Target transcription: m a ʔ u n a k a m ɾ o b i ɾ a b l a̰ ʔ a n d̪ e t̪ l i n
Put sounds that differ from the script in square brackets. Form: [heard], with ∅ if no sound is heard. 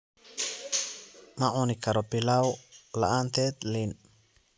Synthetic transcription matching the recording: m a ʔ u n [i] k a [∅] ɾ o [p] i [l] a [w] l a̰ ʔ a n [t̪] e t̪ l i n